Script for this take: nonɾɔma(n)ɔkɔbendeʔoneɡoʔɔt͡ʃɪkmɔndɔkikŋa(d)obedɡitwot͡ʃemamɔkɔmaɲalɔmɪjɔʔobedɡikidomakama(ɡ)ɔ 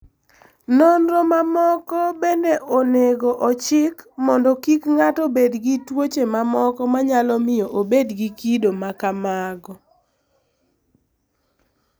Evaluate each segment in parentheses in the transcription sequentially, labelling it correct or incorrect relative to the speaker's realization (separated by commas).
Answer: incorrect, incorrect, correct